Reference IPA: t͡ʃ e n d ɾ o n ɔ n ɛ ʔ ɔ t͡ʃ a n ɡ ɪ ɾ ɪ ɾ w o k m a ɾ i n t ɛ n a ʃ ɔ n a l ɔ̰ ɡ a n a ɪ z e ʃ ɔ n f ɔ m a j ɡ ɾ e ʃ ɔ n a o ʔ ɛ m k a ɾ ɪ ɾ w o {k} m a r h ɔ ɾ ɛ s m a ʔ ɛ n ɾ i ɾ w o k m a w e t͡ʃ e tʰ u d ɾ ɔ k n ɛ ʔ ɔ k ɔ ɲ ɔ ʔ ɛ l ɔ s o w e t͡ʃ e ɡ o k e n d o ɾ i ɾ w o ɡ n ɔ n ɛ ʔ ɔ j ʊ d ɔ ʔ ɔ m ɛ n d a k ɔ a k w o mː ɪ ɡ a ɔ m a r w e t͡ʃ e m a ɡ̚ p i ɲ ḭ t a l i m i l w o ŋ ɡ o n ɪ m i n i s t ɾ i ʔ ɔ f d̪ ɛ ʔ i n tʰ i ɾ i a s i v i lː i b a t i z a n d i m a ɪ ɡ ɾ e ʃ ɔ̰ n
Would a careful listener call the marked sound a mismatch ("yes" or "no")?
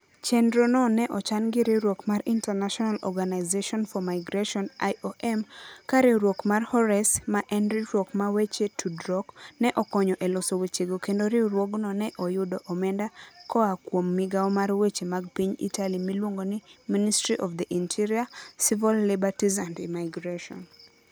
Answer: no